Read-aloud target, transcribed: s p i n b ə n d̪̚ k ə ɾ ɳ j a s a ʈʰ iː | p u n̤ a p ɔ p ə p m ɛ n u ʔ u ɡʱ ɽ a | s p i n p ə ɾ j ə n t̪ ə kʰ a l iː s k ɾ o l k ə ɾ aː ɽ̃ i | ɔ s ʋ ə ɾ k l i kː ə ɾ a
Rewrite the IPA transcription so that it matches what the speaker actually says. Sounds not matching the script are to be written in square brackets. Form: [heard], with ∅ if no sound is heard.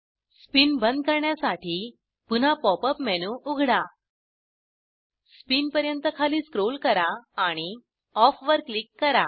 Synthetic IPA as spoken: s p i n b ə n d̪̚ k ə ɾ ɳ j a s a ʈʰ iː | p u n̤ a p ɔ p ə p m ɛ n u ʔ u ɡʱ ɽ a | s p i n p ə ɾ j ə n t̪ ə kʰ a l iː s k ɾ o l k ə ɾ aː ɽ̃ i | ɔ [f] ʋ ə ɾ k l i kː ə ɾ a

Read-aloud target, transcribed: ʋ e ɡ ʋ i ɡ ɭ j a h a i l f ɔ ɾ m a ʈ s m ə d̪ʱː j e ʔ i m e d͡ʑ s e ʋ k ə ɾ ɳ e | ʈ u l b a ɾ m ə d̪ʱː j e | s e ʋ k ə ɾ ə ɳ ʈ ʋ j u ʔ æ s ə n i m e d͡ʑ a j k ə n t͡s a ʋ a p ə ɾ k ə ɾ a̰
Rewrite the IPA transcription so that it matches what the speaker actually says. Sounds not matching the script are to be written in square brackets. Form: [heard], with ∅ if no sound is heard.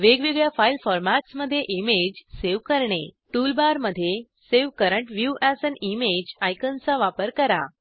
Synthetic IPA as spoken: ʋ e ɡ ʋ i ɡ ɭ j a [f] a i l f ɔ ɾ m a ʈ s m ə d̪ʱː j e ʔ i m e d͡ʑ s e ʋ k ə ɾ ɳ e | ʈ u l b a ɾ m ə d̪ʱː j e | s e ʋ k ə ɾ ə ɳ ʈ ʋ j u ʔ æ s ə n i m e d͡ʑ a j k ə n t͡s a ʋ a p ə ɾ k ə ɾ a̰

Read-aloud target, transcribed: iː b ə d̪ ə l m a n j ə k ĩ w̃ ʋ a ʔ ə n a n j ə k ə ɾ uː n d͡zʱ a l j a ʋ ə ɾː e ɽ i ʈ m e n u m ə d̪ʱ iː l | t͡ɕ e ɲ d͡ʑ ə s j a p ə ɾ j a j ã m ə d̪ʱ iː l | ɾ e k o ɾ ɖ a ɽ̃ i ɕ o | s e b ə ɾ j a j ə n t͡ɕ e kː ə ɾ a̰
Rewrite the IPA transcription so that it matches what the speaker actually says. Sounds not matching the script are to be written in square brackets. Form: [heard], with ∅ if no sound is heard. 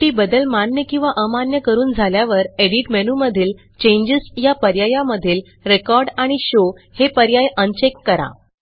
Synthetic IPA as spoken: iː b ə d̪ ə l m a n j ə k ĩ w̃ ʋ a ʔ ə [m] a n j ə k ə ɾ uː n d͡zʱ a l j a ʋ ə [ɾ] e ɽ i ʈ m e n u m ə d̪ʱ iː l | t͡ɕ e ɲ d͡ʑ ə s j a p ə ɾ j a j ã m ə d̪ʱ iː l | ɾ e k [ɔ] ɾ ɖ a ɽ̃ i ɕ o | [h] e [p] ə ɾ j a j ə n t͡ɕ e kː ə ɾ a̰

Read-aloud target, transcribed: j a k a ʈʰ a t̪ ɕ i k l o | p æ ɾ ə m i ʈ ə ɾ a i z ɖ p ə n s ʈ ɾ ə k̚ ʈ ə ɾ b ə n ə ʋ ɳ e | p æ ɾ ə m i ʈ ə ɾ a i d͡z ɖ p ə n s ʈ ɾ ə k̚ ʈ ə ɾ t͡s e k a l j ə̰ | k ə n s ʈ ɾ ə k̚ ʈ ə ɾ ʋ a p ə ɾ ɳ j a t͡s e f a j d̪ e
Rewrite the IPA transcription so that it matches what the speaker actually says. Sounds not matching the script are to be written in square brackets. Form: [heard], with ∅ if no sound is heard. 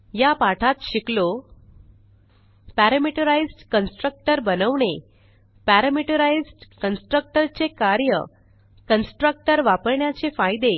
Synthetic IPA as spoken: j a [p] a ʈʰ a t̪ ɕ i k l o | p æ ɾ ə m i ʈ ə ɾ a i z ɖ [k] ə n s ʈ ɾ ə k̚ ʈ ə ɾ b ə n ə ʋ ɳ e | p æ ɾ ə m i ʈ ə ɾ a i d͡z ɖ [k] ə n s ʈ ɾ ə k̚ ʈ ə ɾ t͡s e k a [ɾ] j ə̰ | k ə n s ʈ ɾ ə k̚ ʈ ə ɾ ʋ a p ə ɾ ɳ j a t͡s e f a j d̪ e

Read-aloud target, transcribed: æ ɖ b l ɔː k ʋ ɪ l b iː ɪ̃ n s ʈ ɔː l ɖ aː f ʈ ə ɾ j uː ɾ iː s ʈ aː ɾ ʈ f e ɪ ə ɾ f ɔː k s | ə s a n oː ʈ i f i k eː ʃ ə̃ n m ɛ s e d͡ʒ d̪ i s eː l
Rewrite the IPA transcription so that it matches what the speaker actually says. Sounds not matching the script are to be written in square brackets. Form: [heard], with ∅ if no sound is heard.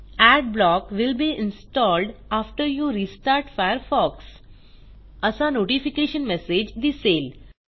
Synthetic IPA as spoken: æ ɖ b l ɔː k ʋ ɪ l b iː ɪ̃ n s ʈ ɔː l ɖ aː f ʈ ə ɾ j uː ɾ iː s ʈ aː ɾ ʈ f [a] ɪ ə ɾ f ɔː k s | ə s a n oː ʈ i f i k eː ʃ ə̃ n m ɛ s e d͡ʒ d̪ i s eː l

